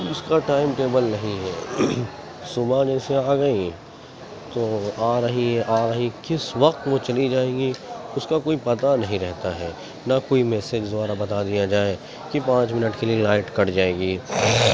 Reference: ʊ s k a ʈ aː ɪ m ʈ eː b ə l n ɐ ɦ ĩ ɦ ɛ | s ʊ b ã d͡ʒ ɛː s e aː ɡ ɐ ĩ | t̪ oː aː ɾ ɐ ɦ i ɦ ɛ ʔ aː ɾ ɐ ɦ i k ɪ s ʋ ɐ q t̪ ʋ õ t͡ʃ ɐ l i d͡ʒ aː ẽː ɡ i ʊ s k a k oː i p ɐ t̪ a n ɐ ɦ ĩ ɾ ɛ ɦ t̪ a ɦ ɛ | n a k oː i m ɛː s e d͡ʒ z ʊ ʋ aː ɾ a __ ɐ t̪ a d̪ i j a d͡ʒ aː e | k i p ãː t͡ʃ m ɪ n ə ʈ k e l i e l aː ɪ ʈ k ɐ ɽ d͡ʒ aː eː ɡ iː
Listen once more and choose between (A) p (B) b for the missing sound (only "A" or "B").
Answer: B